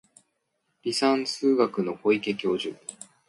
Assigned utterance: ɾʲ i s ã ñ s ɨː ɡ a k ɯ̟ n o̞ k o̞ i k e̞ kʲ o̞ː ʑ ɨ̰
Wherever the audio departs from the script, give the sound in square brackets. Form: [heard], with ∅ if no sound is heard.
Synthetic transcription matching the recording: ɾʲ i s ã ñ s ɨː ɡ a k ɯ̟ n o̞ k o̞ i k e̞ kʲ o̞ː ʑ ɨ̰